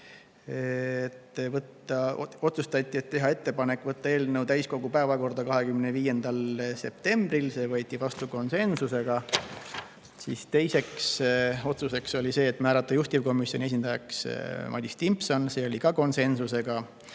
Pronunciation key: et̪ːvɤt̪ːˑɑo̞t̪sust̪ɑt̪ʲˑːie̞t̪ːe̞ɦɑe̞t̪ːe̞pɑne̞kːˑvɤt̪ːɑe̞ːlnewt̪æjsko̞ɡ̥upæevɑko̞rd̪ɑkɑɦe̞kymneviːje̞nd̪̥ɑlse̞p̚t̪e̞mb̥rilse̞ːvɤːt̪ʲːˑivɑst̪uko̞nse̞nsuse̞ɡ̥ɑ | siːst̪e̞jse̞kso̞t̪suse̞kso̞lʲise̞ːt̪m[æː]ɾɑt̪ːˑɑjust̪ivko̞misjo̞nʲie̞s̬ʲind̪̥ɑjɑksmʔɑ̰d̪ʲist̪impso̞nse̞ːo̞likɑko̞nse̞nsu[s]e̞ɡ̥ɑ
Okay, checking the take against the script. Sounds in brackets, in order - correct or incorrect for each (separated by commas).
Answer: correct, correct